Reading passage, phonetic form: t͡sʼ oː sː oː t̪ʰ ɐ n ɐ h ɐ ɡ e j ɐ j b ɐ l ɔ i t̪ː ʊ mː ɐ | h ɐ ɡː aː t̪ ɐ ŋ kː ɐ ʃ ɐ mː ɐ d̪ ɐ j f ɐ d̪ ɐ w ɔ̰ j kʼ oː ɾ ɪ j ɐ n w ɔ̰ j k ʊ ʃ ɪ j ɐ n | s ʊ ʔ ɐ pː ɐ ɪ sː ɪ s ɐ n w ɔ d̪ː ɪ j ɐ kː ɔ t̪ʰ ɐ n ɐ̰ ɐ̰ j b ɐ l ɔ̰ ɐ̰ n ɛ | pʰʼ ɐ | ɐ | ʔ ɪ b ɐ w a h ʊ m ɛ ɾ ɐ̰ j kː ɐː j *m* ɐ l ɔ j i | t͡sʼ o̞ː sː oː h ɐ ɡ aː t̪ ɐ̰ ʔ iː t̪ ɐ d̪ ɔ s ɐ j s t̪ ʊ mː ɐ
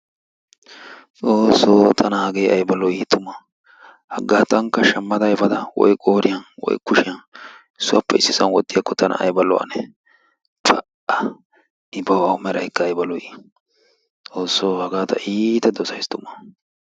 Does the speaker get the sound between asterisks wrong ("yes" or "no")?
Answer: yes